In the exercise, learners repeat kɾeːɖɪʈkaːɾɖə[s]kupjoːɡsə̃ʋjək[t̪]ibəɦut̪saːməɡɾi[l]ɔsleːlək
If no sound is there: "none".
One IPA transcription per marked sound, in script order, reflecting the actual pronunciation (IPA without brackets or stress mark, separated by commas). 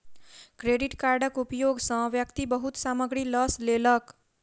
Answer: none, t̪, l